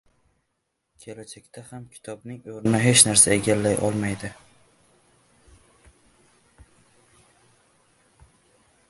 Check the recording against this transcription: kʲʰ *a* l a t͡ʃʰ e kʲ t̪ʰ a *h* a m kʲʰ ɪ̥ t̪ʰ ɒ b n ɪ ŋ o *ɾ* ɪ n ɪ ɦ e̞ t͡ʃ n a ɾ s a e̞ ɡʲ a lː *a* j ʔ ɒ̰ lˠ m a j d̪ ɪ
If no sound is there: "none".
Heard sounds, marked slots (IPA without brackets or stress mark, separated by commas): e, h, ɾ, a